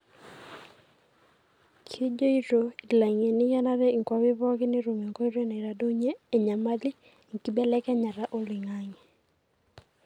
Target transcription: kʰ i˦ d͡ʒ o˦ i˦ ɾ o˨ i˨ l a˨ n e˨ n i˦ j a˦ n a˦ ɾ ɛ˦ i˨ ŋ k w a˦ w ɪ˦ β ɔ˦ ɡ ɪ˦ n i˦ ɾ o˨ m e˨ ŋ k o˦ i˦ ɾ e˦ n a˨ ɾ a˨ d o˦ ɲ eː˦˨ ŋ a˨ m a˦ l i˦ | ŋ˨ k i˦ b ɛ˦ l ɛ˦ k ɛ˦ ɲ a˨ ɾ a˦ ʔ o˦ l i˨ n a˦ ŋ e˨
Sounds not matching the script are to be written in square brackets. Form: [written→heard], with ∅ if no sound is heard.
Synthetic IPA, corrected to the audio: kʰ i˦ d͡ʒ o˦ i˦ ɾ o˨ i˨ l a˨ [n→ŋ] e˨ n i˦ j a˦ n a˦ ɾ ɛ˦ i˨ ŋ k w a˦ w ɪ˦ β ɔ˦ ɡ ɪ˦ n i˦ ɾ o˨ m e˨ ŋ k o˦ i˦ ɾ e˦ n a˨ ɾ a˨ d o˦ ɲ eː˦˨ [ŋ→ɲ] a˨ m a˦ l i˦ | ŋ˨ k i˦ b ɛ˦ l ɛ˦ k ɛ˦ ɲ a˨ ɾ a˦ ʔ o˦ l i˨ [n→ŋ] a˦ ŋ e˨